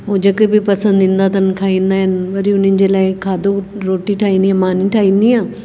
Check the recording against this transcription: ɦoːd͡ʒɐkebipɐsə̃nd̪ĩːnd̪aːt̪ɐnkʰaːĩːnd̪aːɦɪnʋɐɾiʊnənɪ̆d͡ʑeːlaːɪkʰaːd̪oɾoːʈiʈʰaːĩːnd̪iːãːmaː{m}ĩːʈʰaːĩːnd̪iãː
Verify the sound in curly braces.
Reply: incorrect: n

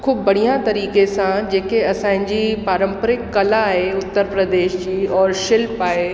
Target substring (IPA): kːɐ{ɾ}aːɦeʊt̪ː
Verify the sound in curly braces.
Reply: incorrect: l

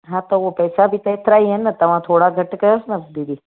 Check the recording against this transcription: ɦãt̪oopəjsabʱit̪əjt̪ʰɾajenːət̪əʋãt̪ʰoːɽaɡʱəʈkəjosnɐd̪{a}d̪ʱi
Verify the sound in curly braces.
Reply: incorrect: i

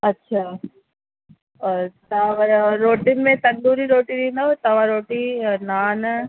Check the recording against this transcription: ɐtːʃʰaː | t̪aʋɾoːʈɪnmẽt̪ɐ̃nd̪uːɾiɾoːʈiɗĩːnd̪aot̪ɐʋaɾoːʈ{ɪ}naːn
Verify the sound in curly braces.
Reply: incorrect: i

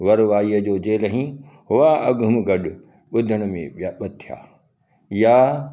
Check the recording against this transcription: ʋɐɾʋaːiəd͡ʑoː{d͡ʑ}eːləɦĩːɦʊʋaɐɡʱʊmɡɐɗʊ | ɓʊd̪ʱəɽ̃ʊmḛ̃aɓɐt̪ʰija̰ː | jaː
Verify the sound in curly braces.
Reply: correct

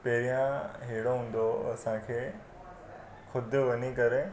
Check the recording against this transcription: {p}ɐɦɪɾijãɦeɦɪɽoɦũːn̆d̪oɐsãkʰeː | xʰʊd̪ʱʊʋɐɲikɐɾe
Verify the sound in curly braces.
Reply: correct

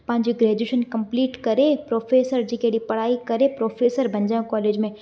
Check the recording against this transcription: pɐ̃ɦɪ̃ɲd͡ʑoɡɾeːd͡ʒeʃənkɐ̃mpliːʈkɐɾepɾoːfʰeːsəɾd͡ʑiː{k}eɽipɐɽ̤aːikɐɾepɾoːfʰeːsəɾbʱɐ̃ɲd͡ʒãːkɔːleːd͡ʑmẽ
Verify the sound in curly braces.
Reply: correct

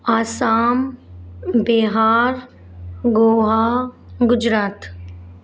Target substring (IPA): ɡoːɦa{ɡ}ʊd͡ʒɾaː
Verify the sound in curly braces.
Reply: correct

